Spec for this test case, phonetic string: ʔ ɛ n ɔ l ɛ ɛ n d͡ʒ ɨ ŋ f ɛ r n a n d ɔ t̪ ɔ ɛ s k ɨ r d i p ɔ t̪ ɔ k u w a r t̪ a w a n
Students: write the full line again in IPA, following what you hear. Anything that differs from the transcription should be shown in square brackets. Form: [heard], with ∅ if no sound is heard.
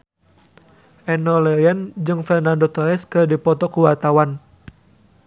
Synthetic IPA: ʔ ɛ n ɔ l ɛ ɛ n d͡ʒ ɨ ŋ f ɛ r n a n d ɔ t̪ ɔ ɛ s k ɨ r d i p ɔ t̪ ɔ k u w a r t̪ a w a n